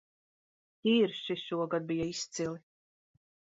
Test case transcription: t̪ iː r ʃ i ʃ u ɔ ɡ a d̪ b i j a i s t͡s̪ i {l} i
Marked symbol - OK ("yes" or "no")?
yes